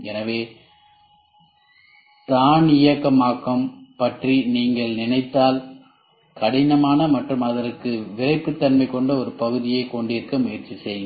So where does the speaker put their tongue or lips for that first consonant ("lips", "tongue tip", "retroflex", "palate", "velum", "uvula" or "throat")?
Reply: tongue tip